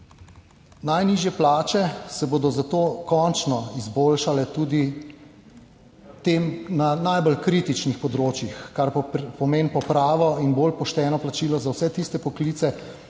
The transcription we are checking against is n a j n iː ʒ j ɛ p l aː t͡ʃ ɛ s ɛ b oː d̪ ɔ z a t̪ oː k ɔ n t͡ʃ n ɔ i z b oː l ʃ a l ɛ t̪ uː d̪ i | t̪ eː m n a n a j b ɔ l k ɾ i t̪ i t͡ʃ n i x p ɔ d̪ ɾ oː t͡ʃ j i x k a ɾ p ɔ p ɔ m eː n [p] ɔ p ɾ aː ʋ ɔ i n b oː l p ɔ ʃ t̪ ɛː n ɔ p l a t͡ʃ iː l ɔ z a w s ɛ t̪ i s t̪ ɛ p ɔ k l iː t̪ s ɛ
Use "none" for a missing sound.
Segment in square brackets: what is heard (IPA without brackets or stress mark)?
p